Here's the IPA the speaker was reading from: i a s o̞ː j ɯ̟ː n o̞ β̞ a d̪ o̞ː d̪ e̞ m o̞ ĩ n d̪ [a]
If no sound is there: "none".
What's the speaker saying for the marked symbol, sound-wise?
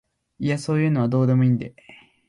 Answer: e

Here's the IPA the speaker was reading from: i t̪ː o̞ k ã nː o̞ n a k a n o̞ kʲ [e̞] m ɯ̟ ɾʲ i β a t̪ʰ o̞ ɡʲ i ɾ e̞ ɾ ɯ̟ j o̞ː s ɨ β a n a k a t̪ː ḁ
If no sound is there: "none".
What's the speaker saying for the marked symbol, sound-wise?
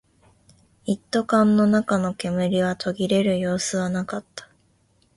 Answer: e̞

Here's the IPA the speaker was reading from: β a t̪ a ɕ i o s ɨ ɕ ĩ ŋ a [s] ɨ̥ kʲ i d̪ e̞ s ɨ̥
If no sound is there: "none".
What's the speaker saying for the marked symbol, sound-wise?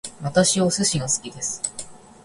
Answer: s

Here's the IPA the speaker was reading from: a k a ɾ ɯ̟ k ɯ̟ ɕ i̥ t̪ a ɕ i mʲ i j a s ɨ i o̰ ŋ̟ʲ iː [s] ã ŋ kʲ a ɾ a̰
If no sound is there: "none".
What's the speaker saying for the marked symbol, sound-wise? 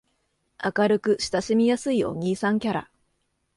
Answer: s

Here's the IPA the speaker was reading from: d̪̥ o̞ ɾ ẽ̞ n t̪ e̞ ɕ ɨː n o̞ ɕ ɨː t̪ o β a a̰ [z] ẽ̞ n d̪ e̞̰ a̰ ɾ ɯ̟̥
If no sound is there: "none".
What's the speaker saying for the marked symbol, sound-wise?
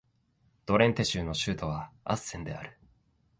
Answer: s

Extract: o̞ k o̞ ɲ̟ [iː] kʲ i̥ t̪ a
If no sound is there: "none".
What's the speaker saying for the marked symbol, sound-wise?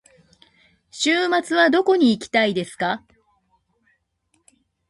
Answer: iː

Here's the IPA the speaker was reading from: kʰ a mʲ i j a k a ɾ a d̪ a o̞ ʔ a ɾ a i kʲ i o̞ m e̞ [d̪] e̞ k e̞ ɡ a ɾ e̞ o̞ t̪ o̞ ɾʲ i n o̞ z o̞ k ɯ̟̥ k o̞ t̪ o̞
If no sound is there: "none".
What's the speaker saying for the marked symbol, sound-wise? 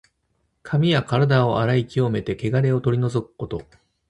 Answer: t̪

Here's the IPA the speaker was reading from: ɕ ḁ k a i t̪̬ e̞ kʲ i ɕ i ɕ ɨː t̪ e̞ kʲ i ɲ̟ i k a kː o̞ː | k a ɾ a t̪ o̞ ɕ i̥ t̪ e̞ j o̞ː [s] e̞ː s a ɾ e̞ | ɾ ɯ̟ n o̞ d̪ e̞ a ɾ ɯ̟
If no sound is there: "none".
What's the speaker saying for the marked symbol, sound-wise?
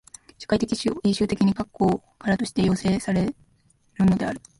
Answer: s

